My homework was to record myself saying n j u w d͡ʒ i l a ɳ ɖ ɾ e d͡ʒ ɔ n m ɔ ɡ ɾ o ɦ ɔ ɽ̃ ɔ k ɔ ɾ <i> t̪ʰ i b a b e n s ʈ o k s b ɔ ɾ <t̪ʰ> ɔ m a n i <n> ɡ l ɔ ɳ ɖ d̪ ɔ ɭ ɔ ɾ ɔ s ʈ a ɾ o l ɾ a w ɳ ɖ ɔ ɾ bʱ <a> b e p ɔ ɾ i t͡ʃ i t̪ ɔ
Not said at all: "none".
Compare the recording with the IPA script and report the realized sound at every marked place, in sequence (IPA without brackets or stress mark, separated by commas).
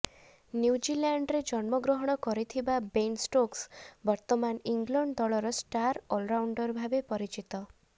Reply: i, t̪, ŋ, a